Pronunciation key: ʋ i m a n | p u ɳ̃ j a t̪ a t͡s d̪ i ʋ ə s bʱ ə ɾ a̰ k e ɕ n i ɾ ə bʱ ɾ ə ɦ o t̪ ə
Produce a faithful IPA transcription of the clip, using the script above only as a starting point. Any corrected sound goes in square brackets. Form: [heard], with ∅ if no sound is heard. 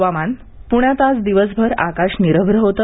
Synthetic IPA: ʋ [a] m a n | p u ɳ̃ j a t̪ a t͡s d̪ i ʋ ə s bʱ ə ɾ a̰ k [a] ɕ n i ɾ ə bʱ ɾ ə ɦ o t̪ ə